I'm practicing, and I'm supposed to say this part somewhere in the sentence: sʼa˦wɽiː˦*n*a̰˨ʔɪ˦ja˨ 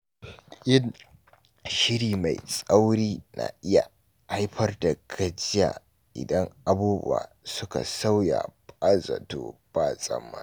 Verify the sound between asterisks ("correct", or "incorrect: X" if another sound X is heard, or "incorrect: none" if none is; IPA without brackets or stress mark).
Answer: correct